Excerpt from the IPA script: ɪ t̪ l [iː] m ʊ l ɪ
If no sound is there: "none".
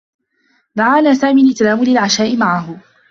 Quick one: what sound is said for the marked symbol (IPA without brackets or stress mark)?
aː